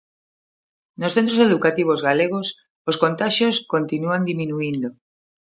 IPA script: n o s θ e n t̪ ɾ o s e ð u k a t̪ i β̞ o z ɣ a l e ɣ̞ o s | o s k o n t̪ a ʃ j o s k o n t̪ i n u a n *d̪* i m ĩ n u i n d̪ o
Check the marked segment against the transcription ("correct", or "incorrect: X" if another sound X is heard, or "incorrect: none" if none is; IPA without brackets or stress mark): correct